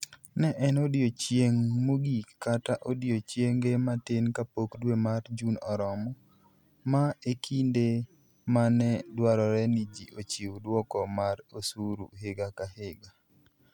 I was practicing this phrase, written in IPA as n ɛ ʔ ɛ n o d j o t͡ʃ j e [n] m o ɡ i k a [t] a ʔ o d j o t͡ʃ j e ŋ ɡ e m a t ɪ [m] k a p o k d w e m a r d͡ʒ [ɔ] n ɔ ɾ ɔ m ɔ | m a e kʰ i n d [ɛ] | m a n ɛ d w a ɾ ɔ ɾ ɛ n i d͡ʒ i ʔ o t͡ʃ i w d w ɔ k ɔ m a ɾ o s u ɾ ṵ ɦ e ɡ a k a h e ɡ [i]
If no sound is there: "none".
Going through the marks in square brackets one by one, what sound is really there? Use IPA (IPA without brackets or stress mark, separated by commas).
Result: ŋ, t, n, u, e, a